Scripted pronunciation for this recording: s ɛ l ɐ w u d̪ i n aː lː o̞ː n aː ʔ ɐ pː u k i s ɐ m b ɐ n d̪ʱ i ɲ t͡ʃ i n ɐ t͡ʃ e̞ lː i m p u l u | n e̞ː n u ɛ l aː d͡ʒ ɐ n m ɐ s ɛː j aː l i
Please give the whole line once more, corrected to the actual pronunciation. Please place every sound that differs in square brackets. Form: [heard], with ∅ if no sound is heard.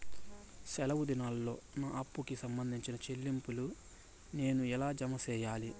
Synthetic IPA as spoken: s ɛ l ɐ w u d̪ i n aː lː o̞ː n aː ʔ ɐ pː u k i s ɐ m b ɐ n d̪ʱ i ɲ t͡ʃ i n ɐ t͡ʃ e̞ lː i m p u l u | n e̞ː n u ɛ l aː d͡ʒ ɐ [∅] m ɐ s ɛː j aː l i